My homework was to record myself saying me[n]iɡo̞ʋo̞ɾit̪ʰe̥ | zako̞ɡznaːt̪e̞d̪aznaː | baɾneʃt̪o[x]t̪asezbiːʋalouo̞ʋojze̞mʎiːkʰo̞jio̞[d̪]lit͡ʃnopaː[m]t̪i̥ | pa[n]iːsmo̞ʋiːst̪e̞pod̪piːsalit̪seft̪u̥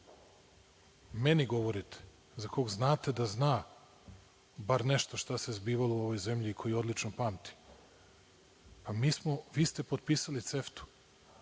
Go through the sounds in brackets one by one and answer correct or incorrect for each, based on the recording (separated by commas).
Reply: correct, incorrect, correct, correct, incorrect